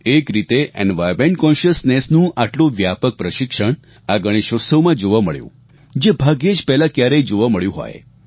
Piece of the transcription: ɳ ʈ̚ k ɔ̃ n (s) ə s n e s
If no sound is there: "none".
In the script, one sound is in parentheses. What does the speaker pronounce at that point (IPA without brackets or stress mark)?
ʃ